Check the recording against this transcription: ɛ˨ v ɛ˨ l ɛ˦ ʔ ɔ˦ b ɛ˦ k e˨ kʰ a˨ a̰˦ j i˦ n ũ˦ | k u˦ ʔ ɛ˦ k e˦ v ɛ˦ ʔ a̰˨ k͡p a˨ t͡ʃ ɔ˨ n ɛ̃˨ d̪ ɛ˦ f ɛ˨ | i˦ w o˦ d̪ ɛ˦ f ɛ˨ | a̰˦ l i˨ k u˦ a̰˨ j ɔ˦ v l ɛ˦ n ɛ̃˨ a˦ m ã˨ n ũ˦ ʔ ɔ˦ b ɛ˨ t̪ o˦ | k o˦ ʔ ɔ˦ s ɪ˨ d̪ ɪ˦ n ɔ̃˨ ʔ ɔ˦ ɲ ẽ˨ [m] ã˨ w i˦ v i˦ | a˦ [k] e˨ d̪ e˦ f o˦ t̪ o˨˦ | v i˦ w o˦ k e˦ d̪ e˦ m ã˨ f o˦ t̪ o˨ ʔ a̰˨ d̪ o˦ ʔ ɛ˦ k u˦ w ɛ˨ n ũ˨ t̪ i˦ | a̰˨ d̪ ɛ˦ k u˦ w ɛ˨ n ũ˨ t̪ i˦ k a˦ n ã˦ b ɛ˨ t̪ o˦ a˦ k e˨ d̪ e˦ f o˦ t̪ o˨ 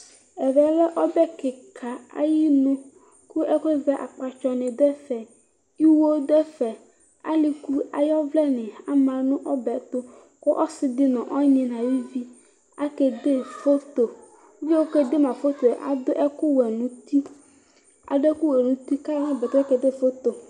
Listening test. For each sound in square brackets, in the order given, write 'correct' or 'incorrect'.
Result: incorrect: n, correct

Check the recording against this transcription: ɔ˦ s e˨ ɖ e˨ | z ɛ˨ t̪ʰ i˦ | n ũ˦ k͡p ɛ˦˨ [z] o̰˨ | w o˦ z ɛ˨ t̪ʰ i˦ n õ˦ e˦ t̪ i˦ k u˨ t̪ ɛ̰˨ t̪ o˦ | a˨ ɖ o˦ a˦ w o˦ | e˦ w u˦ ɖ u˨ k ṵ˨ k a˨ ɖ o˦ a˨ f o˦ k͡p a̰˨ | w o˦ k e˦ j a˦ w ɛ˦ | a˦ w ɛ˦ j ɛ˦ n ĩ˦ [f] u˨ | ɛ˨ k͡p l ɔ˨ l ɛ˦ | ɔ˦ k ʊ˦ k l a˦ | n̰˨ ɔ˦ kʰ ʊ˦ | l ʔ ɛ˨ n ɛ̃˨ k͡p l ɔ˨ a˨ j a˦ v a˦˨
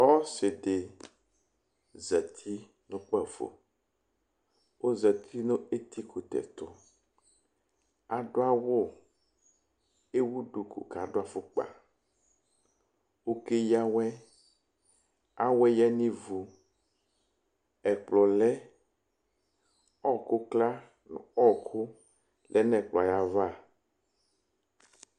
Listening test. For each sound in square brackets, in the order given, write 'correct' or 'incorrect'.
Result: incorrect: v, incorrect: v

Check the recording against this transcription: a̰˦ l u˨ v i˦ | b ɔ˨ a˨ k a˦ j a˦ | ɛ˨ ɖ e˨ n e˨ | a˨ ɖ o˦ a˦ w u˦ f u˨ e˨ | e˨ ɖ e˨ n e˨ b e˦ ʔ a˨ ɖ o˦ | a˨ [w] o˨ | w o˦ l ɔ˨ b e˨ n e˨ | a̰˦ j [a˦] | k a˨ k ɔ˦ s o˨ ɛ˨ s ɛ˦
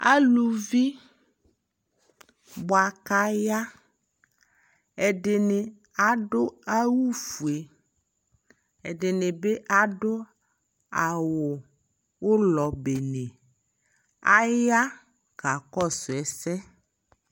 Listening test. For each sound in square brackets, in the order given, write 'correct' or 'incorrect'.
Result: correct, correct

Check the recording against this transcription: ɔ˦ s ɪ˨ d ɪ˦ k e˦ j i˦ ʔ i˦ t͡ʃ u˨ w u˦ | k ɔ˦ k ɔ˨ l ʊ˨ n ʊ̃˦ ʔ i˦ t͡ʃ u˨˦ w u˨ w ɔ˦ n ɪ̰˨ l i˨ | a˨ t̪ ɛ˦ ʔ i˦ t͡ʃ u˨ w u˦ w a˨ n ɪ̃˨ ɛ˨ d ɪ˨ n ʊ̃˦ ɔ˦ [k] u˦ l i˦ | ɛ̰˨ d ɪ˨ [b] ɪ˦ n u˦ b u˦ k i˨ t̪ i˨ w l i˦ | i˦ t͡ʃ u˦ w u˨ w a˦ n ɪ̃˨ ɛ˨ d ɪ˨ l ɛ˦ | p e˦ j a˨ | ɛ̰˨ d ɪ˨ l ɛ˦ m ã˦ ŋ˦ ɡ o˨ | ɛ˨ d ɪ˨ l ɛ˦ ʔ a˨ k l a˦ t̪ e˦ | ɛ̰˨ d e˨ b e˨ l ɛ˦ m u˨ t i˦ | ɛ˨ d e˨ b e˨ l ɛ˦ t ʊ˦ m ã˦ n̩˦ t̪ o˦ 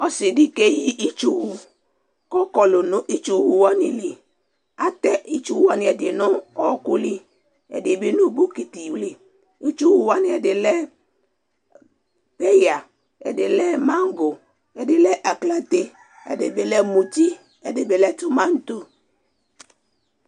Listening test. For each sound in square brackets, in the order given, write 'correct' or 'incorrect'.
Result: correct, correct

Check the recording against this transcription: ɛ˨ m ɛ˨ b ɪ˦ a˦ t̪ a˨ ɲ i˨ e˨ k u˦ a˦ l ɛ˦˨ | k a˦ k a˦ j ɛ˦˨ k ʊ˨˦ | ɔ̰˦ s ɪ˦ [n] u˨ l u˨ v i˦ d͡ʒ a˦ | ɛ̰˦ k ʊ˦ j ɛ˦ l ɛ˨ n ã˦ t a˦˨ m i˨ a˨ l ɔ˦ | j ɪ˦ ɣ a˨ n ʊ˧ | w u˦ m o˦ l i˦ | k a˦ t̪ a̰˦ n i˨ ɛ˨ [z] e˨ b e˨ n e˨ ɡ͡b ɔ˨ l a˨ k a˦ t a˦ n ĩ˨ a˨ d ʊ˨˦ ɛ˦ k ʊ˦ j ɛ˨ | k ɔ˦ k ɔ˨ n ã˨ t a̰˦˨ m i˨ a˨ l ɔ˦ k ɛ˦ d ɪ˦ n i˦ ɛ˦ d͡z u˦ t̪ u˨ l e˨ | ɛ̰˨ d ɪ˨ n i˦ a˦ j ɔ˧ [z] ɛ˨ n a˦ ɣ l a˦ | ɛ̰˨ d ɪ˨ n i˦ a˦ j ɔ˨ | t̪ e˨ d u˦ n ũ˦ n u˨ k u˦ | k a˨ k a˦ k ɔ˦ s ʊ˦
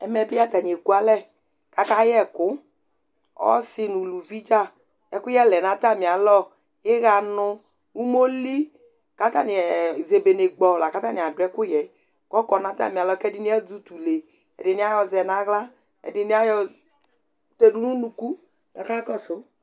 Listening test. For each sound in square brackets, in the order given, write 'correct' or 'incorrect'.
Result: correct, correct, correct

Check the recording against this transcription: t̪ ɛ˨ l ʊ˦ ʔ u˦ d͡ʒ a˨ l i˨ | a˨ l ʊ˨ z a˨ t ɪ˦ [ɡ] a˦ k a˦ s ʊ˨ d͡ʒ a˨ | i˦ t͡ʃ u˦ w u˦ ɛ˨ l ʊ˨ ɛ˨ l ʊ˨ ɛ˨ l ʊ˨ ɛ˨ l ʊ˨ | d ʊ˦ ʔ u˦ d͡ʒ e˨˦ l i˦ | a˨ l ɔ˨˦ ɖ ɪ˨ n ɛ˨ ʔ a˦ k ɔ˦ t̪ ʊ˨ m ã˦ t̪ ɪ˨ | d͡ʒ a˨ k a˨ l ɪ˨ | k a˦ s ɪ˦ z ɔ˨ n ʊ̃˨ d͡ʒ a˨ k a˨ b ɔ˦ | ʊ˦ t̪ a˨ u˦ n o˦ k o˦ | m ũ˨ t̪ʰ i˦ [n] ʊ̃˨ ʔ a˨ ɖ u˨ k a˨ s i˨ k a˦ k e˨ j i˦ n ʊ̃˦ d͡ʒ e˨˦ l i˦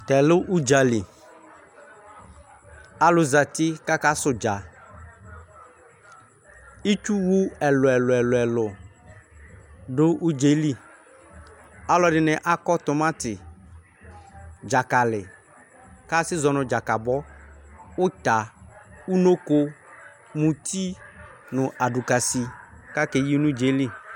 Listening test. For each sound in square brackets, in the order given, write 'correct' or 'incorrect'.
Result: incorrect: k, correct

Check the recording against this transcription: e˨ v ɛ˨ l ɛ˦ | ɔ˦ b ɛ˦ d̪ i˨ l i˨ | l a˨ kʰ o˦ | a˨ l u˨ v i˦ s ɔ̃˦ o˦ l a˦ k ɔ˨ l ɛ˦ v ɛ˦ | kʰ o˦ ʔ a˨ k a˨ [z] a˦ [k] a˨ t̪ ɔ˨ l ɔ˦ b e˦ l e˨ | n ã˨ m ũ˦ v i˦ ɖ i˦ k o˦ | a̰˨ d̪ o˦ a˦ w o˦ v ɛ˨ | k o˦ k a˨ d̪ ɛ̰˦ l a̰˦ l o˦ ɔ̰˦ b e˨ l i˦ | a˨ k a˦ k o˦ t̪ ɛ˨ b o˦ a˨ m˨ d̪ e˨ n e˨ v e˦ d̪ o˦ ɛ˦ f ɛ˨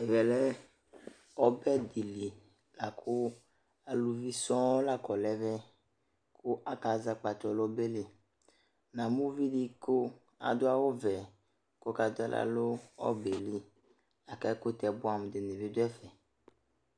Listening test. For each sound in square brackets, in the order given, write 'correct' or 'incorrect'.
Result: correct, incorrect: k͡p

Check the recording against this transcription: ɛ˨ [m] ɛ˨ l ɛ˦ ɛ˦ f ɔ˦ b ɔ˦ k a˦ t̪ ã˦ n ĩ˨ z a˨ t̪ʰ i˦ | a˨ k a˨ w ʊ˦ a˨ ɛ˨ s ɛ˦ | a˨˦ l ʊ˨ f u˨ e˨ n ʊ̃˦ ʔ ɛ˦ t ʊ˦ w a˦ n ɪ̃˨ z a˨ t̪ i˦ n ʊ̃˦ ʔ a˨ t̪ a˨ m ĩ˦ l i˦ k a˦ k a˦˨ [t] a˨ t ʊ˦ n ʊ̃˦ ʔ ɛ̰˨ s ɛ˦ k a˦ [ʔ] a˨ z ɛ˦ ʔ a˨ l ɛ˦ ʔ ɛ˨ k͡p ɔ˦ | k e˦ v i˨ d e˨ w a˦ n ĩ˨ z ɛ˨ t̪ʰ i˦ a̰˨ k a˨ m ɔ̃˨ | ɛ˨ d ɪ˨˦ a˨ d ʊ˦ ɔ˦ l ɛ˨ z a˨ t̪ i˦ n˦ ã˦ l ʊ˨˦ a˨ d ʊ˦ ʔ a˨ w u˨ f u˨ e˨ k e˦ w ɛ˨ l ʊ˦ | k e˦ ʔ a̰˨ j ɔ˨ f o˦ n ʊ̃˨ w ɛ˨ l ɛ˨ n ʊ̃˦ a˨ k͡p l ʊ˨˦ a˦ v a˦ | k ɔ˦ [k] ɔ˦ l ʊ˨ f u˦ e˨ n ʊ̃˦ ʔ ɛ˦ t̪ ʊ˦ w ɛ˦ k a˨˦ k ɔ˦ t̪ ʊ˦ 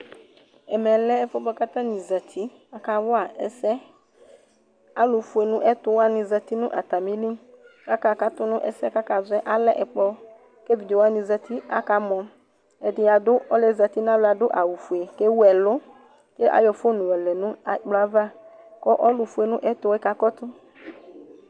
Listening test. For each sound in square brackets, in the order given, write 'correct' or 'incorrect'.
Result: correct, incorrect: k, incorrect: k, incorrect: ʔ

